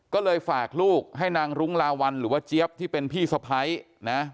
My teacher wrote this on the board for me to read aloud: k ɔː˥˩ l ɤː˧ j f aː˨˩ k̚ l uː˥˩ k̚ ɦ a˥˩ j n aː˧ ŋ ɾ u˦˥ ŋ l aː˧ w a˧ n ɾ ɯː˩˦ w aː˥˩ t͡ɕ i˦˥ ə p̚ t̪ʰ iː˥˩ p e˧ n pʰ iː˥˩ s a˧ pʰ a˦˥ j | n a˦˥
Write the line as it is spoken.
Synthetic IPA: k ɔː˥˩ l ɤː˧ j f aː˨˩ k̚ l uː˥˩ k̚ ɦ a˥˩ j n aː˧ ŋ ɾ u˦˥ ŋ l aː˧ w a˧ n ɾ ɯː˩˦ w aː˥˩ t͡ɕ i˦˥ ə p̚ t̪ʰ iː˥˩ p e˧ n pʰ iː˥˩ s a˧ pʰ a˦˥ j | n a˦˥